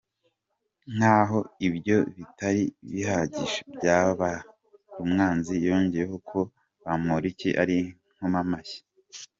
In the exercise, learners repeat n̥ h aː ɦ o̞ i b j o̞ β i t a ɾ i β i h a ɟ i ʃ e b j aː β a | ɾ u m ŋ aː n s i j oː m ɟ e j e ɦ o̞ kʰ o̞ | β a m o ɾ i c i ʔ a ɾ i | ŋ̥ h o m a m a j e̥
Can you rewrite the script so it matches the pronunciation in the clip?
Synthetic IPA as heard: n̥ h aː ɦ o̞ i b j o̞ β i t a ɾ i β i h a ɟ i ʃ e b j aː β a | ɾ u m ŋ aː n z i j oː ɲ ɟ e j e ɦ o̞ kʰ o̞ | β a m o ɾ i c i ʔ a ɾ i | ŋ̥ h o m a m a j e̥